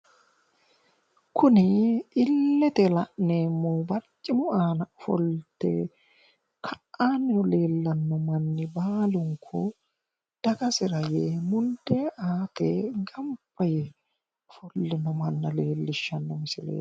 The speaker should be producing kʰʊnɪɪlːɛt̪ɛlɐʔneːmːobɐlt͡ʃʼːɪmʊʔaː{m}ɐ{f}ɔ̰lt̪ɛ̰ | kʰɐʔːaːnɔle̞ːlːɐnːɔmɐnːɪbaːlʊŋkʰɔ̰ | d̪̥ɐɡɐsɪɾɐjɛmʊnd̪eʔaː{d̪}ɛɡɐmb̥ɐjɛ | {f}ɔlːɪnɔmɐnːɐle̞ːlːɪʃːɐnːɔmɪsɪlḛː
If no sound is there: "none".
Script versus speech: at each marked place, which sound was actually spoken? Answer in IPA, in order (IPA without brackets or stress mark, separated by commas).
n, f, t̪, f